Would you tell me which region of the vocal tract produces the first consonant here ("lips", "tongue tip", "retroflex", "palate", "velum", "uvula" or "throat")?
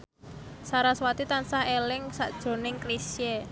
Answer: tongue tip